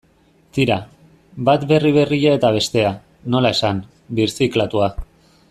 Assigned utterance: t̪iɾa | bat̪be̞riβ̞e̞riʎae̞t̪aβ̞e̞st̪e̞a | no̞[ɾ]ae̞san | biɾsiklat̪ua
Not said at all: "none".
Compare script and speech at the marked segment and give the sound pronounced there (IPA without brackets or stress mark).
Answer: l